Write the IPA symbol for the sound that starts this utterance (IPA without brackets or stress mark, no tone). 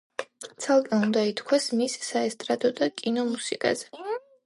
t̪